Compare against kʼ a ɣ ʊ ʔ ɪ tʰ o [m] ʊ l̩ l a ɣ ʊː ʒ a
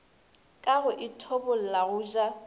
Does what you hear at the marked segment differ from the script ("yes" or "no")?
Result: yes